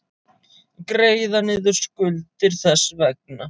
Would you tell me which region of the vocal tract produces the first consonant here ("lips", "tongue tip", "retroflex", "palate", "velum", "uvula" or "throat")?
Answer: velum